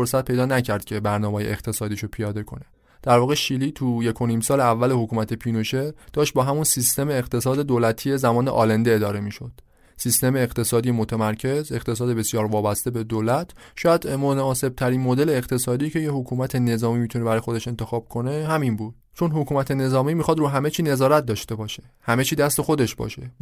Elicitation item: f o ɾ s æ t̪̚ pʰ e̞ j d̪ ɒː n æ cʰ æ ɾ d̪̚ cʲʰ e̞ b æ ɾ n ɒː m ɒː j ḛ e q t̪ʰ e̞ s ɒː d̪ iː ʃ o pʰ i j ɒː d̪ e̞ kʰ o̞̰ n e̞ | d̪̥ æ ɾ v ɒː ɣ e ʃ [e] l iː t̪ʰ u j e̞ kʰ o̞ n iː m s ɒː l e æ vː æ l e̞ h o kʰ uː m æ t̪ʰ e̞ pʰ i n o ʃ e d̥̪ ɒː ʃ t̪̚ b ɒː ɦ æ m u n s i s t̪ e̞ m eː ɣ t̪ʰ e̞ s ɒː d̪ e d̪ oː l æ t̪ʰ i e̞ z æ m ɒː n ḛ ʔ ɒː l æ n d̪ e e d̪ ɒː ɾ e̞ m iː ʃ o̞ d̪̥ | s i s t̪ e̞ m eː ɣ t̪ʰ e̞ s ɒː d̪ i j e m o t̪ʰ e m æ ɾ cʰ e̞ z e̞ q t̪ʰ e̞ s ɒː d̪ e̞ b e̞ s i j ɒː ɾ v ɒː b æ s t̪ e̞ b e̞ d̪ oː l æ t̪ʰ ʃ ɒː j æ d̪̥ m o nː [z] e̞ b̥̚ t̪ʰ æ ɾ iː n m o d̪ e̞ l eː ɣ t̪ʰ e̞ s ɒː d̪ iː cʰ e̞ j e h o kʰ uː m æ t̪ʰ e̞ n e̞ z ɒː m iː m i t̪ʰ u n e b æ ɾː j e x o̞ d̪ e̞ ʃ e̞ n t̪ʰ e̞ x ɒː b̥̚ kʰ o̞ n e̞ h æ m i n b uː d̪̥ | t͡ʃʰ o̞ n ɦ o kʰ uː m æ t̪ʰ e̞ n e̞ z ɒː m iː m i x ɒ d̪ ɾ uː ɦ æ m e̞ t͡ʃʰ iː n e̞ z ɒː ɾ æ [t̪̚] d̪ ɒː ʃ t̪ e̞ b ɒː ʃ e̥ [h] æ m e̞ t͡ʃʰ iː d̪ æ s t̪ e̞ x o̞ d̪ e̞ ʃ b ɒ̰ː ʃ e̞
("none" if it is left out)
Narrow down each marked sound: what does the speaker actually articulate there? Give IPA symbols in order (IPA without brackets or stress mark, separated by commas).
i, s, t̪̚, h